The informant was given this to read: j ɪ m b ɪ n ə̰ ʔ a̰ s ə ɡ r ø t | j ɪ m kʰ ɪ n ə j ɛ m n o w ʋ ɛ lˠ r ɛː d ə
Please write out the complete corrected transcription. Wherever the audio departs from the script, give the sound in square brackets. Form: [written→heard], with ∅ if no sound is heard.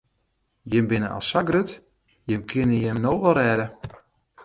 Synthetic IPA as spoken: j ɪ m b ɪ n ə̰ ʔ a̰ s [ə→a] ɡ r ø t | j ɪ m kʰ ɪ n ə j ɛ m n o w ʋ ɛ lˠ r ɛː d ə